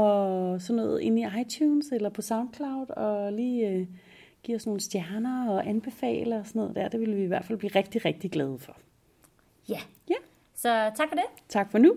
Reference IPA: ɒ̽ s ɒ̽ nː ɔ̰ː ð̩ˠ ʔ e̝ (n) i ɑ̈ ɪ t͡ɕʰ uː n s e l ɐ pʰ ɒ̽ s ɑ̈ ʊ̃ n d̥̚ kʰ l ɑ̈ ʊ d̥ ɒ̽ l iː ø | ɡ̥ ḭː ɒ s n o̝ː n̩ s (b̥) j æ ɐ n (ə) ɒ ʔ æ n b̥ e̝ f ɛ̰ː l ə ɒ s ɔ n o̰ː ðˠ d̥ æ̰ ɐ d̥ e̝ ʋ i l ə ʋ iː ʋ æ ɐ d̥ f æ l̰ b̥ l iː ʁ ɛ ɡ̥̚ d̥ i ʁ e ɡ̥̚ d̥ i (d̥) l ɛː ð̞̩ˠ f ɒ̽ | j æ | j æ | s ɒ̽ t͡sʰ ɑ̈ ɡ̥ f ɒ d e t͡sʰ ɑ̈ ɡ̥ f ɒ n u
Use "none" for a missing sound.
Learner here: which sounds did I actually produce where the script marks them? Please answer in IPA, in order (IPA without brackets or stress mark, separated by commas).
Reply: n, d̥, ɐ, ɡ̥